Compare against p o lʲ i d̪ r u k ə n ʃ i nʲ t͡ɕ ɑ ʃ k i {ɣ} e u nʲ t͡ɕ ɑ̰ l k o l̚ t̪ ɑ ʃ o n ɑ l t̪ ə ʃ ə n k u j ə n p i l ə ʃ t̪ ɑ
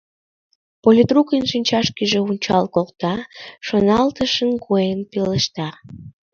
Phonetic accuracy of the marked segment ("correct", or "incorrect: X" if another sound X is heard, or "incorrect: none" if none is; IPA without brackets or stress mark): incorrect: ʒ